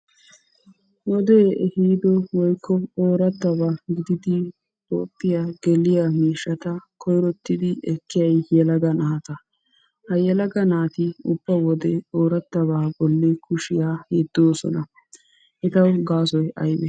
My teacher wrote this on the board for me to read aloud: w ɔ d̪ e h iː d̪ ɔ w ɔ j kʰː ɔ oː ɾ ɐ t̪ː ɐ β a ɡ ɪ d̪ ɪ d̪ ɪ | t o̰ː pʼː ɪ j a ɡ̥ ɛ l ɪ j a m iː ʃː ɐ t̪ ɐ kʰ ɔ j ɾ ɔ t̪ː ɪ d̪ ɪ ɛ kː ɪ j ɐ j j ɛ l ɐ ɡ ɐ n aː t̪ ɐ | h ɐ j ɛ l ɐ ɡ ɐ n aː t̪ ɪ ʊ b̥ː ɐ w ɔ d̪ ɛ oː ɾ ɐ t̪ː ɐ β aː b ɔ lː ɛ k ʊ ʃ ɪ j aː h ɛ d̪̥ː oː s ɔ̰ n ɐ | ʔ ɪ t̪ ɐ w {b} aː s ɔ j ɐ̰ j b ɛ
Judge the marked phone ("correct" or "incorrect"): incorrect